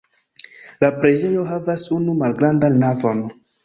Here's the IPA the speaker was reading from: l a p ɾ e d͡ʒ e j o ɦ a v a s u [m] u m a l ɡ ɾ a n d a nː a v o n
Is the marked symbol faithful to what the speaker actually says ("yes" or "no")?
no